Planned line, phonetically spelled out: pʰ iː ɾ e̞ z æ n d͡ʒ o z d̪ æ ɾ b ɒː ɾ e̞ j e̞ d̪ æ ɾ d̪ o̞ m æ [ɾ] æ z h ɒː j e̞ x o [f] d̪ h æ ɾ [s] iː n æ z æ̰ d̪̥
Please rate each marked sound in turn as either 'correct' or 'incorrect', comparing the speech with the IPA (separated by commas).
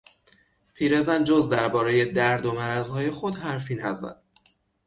correct, incorrect, incorrect